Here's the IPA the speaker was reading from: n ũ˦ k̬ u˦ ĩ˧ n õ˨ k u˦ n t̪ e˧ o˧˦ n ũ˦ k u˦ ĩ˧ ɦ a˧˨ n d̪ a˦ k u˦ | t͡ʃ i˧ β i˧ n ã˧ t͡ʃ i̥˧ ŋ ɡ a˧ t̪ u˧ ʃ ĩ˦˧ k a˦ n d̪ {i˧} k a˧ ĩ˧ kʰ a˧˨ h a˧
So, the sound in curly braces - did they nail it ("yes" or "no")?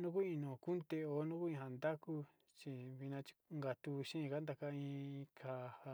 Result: no